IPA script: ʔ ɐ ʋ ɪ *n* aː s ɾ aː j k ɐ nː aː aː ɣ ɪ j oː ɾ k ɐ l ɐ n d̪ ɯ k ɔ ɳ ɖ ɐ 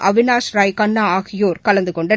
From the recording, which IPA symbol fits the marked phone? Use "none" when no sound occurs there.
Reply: n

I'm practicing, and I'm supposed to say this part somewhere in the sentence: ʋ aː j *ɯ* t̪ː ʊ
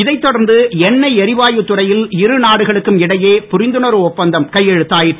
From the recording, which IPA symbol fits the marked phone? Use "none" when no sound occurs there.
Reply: ɯ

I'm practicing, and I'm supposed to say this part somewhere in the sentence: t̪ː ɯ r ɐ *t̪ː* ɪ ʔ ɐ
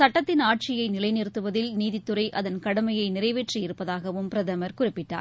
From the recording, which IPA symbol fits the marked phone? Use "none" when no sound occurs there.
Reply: none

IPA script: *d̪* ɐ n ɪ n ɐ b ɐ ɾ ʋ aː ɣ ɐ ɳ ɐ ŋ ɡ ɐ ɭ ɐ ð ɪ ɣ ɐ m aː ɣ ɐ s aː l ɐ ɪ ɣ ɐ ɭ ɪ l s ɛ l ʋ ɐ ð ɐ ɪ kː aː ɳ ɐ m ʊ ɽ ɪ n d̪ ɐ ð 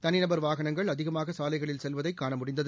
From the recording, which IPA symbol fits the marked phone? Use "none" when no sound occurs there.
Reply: t̪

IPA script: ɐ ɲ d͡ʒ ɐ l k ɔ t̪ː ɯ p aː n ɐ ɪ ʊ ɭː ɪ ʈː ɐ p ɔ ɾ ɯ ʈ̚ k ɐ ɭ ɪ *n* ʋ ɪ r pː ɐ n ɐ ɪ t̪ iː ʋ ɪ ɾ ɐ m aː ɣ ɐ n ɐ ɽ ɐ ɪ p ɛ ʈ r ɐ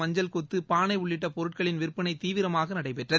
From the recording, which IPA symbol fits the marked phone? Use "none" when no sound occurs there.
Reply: n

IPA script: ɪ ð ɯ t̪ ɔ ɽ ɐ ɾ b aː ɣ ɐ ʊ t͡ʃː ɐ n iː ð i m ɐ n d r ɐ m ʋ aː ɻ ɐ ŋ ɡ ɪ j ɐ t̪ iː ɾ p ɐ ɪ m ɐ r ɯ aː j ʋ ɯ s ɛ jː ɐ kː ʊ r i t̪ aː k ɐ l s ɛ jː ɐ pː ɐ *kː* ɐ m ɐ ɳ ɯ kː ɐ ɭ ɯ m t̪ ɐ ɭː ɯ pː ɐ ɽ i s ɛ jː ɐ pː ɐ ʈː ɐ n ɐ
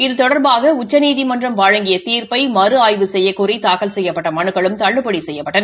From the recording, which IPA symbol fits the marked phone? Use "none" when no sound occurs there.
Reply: ʈː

